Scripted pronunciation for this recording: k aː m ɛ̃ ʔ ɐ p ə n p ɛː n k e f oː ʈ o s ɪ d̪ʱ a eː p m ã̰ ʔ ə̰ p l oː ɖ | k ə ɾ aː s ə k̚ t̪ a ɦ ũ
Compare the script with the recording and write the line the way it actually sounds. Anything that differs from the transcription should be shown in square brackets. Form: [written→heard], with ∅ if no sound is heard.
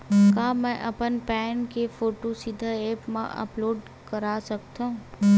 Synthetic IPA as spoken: k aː m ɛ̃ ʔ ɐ p ə n p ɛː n k e f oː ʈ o s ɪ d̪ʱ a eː p m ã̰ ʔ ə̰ p l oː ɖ | k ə ɾ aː s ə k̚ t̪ a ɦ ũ